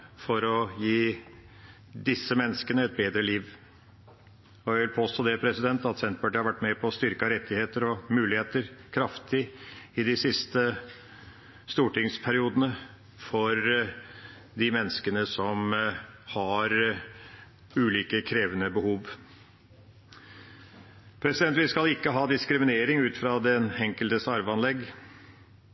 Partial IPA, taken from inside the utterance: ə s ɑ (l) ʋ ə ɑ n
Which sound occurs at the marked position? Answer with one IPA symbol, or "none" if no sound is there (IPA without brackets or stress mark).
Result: ɾ